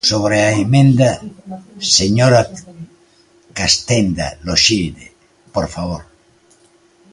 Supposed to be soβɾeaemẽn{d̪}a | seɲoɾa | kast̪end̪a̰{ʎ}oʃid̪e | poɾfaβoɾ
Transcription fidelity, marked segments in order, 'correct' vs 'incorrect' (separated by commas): correct, incorrect